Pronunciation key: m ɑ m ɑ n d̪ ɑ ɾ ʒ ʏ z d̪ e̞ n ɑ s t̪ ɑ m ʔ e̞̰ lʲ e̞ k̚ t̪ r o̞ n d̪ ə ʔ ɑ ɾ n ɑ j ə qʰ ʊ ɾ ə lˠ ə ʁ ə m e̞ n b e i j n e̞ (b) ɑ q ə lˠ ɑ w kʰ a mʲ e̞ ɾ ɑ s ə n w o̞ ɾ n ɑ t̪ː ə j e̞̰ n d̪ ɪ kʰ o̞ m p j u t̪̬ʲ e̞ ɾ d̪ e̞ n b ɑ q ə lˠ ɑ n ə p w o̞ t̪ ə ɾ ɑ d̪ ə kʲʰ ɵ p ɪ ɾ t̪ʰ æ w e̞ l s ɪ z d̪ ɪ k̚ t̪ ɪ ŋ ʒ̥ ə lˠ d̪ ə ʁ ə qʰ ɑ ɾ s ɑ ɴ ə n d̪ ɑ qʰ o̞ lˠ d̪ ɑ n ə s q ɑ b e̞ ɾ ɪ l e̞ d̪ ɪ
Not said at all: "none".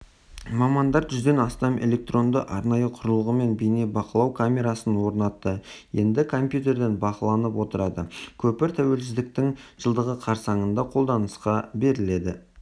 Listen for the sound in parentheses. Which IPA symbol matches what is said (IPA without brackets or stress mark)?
b